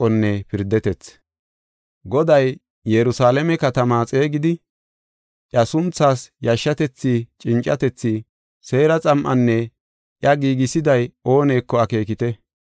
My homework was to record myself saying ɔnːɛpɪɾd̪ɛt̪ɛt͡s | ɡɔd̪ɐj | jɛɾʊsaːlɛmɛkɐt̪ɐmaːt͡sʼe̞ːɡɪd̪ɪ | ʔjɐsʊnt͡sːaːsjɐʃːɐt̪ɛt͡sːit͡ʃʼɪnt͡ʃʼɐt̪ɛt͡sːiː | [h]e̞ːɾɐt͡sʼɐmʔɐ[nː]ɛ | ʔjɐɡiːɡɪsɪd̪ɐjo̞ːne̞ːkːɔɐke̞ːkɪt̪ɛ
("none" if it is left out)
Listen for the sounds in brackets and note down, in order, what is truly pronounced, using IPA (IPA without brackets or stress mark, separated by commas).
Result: s, nː